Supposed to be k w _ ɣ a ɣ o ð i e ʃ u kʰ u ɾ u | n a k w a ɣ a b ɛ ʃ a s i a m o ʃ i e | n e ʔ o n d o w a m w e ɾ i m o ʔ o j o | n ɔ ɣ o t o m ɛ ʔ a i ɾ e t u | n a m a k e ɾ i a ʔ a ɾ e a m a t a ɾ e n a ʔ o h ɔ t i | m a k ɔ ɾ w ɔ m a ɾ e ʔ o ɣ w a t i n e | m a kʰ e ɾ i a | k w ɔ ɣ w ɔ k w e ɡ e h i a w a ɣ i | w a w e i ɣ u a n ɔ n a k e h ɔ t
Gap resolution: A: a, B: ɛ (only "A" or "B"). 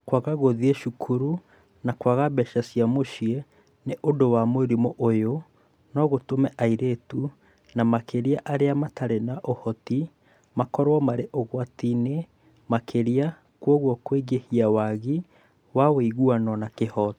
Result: A